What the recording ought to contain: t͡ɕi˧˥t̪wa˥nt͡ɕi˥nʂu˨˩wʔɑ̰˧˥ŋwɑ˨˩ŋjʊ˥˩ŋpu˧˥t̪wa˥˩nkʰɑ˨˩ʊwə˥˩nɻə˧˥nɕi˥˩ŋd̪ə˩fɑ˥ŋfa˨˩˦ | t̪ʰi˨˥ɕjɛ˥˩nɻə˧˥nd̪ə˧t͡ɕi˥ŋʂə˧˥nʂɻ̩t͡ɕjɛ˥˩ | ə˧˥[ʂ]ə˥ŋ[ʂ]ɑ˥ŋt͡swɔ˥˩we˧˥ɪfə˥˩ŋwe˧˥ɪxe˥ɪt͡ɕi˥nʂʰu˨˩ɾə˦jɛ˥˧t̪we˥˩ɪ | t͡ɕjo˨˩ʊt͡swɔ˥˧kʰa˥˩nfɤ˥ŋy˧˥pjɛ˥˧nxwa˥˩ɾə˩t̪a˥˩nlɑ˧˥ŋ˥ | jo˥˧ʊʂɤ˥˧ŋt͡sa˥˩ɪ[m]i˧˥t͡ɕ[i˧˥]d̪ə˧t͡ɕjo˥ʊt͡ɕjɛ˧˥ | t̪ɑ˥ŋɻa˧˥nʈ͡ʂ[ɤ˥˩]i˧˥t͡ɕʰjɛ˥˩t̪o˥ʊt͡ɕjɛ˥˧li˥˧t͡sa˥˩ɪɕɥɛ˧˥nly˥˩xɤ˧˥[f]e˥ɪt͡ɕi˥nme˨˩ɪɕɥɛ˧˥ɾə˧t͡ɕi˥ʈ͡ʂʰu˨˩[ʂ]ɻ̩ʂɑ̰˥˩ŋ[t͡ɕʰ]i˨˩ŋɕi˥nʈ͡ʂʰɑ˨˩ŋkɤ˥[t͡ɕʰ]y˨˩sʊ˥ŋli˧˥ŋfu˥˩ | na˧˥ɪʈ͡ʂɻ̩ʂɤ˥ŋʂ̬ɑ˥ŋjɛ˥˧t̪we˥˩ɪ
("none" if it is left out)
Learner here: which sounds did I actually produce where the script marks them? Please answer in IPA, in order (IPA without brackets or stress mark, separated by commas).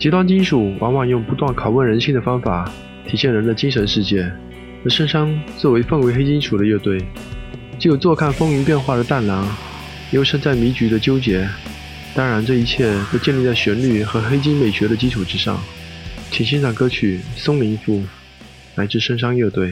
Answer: ʂ, ʂ, m, y˧˥, ɤ˥˩, x, ʈ͡ʂ, t͡ɕʰ, t͡ɕʰ